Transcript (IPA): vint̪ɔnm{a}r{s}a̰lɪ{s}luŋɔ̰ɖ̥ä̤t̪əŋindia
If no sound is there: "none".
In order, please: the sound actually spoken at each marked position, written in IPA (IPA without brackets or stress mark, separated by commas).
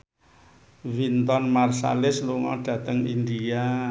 a, s, s